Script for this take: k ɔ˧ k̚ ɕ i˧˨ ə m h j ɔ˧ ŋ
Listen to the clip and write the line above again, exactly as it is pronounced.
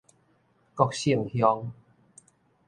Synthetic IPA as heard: k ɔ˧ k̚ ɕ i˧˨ ə ŋ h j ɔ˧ ŋ